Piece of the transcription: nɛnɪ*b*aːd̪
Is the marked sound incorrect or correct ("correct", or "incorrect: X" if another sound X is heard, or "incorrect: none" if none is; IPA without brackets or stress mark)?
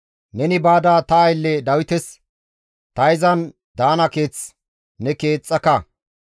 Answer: correct